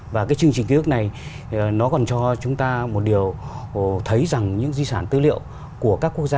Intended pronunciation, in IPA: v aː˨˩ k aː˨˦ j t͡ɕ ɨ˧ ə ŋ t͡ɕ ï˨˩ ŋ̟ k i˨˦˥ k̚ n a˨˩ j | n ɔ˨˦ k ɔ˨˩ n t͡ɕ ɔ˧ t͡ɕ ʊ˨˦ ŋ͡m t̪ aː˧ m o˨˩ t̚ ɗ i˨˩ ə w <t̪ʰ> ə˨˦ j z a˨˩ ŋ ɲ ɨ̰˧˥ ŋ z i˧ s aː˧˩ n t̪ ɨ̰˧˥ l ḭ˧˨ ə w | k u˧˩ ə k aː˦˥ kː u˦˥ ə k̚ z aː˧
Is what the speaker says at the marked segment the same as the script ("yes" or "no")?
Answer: yes